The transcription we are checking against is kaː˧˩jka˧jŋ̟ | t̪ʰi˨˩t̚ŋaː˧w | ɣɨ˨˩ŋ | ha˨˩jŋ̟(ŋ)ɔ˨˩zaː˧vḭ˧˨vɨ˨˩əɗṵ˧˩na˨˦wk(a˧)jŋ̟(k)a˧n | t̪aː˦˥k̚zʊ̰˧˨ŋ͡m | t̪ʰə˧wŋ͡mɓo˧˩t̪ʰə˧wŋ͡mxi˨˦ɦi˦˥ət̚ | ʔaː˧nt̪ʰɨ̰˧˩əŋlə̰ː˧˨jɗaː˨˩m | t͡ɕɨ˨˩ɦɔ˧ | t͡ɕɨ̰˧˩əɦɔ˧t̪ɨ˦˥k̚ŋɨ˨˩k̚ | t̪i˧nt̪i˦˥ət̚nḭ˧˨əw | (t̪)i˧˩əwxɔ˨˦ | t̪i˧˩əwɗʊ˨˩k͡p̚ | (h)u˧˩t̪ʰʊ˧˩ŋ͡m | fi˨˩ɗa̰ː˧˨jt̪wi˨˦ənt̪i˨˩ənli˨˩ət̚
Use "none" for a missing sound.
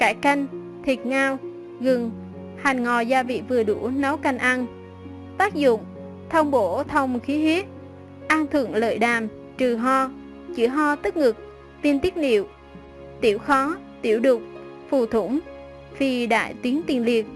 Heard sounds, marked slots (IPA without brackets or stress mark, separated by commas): ŋ, a˧, ʔ, t̪, f